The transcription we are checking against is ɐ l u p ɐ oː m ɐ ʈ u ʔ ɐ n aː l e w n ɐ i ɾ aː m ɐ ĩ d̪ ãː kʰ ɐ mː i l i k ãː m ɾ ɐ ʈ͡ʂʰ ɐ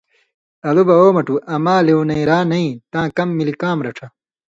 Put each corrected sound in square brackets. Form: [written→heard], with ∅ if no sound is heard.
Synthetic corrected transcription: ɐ l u [p→b] ɐ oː m ɐ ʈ u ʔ ɐ [n→m] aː l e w n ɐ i ɾ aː [m→n] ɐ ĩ [d̪→t̪] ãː [kʰ→k] ɐ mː i l i k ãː m ɾ ɐ ʈ͡ʂʰ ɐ